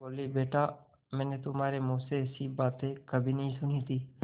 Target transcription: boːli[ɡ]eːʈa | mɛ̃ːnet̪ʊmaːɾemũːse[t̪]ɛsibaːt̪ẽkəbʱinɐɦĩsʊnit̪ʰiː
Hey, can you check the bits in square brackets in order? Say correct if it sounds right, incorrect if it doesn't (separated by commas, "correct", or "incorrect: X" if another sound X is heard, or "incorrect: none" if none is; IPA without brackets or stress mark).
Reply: incorrect: b, incorrect: none